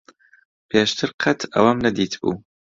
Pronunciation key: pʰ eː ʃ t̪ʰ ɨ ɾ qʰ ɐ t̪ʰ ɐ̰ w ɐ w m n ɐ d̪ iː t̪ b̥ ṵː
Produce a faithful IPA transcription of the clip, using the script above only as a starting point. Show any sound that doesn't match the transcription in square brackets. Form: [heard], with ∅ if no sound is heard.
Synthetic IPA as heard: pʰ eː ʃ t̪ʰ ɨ ɾ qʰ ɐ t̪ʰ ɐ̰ w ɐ [∅] m n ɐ d̪ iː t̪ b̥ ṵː